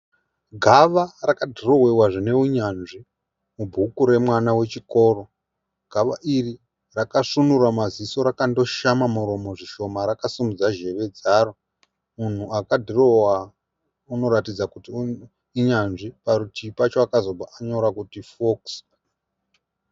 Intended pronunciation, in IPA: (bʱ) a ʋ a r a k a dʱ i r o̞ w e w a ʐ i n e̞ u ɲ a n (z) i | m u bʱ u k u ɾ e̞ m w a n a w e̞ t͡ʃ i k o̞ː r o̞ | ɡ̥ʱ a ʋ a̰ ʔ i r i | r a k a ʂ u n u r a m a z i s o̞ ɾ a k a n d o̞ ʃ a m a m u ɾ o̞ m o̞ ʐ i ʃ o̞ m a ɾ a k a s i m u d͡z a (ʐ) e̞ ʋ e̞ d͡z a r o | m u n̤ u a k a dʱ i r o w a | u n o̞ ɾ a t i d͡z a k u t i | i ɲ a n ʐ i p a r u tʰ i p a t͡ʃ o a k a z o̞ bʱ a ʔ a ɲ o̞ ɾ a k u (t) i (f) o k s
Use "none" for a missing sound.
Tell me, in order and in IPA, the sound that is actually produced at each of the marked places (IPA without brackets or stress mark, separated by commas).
ɡʱ, ʐ, ʒ, t, f